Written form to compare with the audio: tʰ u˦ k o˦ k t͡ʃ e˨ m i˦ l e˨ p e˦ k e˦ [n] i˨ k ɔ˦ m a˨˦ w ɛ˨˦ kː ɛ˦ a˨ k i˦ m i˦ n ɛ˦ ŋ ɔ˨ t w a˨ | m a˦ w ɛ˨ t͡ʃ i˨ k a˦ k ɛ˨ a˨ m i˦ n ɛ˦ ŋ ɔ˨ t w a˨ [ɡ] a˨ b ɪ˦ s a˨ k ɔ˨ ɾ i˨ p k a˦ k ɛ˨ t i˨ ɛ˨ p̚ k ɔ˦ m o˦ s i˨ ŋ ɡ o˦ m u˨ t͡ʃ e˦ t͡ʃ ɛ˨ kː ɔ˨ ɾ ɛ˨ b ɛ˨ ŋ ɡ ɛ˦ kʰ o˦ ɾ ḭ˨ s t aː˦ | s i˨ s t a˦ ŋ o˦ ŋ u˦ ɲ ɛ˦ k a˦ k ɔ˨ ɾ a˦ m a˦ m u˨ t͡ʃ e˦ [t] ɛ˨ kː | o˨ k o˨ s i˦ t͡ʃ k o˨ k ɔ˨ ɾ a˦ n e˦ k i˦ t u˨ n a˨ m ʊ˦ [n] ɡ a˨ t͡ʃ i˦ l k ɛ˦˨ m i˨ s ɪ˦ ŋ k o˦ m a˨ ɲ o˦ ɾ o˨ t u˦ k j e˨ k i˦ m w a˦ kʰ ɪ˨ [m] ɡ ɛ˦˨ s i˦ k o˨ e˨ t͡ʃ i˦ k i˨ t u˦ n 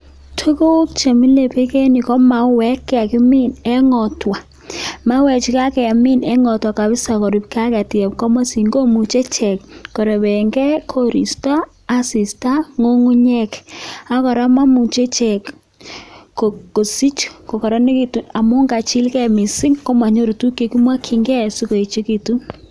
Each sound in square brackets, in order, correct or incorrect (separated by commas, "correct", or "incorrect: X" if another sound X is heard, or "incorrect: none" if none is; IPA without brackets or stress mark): correct, incorrect: k, incorrect: t͡ʃ, incorrect: ŋ, incorrect: ŋ